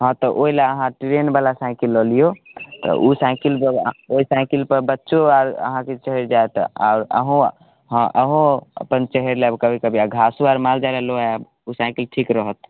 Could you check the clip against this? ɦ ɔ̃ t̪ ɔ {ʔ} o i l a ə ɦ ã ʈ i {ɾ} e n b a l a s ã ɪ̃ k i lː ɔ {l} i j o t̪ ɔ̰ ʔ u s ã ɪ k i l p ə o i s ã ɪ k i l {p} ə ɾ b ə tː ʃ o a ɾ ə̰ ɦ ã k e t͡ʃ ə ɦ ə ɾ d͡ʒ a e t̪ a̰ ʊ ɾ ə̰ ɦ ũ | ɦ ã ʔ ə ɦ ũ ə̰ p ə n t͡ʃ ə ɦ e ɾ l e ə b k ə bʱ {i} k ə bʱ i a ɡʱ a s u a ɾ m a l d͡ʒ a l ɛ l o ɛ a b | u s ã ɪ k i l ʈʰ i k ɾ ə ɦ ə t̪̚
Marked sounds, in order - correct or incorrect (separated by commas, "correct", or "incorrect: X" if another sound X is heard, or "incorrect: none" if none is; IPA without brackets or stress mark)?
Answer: correct, correct, correct, correct, correct